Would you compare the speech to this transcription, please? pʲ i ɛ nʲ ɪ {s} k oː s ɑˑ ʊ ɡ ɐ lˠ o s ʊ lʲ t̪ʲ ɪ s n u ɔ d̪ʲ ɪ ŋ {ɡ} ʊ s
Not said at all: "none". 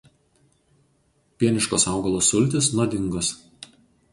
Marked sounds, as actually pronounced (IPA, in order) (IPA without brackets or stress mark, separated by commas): ʃ, ɡ